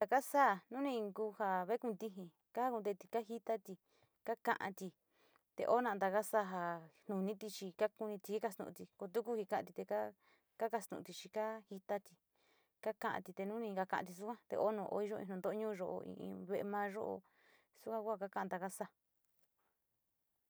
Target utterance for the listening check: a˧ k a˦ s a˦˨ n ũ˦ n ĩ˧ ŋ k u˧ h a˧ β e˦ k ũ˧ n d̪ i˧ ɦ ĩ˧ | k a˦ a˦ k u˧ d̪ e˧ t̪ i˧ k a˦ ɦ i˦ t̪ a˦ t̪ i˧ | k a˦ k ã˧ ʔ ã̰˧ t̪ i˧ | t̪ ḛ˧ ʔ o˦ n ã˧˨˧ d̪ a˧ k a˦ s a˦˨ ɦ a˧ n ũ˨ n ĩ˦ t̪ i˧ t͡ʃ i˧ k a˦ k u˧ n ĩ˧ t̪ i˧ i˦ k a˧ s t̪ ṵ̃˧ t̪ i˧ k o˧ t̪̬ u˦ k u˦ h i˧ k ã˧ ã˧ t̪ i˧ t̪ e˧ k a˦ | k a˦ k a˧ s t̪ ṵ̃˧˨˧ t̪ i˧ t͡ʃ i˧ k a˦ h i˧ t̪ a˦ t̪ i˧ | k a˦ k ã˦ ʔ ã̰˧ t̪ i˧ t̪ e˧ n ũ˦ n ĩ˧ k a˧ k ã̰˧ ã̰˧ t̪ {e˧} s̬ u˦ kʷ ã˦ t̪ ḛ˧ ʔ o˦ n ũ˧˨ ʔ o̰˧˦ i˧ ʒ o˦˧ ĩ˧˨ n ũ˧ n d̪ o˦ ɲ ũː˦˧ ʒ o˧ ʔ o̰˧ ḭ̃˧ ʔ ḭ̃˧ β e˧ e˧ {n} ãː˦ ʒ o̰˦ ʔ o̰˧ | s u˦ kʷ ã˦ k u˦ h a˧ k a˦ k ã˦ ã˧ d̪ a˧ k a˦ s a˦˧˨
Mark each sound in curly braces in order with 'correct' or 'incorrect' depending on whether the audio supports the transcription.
incorrect: i˧, incorrect: m

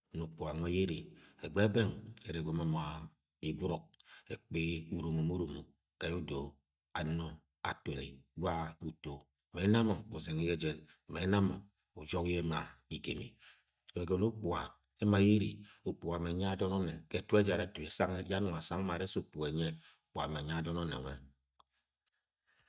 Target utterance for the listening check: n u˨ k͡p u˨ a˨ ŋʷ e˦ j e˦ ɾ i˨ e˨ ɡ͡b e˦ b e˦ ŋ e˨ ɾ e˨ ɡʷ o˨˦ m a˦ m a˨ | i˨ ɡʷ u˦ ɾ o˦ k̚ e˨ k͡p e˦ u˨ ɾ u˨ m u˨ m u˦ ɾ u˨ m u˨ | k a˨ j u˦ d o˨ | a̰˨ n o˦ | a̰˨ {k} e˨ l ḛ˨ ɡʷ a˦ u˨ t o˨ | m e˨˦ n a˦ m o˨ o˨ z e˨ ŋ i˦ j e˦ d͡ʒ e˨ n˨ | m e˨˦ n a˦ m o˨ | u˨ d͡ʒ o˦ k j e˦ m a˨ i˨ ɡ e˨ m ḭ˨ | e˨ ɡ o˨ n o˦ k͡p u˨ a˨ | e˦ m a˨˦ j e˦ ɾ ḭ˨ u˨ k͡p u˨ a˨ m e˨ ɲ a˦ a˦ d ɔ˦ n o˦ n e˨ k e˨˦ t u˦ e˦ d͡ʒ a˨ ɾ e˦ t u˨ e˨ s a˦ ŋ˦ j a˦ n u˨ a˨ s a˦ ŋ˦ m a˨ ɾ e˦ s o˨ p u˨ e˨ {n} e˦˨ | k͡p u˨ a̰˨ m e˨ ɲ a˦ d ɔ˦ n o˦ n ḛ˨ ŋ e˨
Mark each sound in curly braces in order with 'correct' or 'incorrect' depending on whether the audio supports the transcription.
incorrect: t, incorrect: ɲ

